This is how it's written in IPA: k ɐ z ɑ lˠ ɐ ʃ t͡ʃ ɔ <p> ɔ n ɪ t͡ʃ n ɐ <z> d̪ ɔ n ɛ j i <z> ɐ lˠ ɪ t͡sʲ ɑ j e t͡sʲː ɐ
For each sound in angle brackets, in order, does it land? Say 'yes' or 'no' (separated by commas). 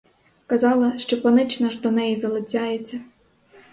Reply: yes, no, yes